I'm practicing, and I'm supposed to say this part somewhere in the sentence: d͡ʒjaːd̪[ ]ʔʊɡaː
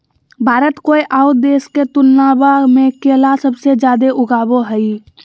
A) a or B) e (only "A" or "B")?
B